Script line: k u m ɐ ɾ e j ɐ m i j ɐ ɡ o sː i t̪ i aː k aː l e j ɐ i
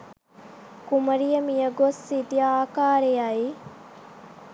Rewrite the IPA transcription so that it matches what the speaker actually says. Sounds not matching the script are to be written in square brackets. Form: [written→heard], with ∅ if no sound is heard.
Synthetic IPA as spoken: k u m ɐ ɾ [e→i] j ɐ m i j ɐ ɡ o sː i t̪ i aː k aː [l→ɾ] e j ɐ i